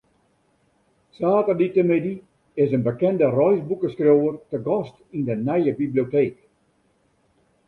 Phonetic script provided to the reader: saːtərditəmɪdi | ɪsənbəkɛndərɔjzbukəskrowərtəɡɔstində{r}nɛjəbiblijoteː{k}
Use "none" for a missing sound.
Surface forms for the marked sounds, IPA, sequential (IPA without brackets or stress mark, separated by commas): none, k